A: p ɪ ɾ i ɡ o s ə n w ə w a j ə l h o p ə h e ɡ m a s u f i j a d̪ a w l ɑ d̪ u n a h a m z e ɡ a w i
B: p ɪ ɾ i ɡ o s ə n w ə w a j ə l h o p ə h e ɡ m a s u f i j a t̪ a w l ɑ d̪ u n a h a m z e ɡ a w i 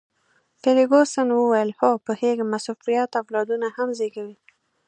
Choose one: B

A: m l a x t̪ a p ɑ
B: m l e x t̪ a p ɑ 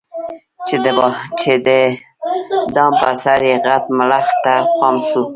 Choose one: A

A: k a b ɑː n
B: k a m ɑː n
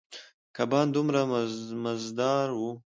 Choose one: A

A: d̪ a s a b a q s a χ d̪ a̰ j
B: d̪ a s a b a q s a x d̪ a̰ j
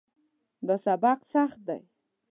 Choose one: A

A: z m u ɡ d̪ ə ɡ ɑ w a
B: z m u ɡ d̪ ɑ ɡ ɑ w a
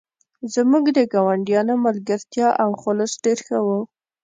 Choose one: A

